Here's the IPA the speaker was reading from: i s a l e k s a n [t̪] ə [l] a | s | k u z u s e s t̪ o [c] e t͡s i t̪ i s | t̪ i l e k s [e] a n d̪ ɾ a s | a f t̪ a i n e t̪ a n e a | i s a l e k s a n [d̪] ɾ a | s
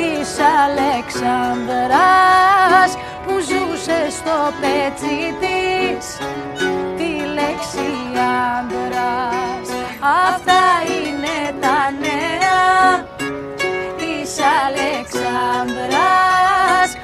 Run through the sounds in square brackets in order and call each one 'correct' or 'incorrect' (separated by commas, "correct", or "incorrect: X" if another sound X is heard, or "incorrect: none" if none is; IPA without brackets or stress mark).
incorrect: d̪, incorrect: ɾ, incorrect: p, incorrect: i, correct